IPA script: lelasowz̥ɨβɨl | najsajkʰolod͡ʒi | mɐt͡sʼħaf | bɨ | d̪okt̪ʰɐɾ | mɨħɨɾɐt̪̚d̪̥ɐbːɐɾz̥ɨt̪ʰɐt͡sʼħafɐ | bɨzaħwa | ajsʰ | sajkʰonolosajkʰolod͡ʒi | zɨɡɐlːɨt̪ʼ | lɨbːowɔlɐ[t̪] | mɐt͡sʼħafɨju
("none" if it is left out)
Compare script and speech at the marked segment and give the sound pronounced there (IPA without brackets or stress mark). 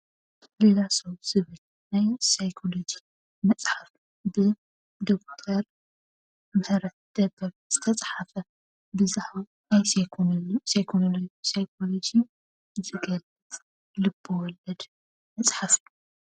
d̪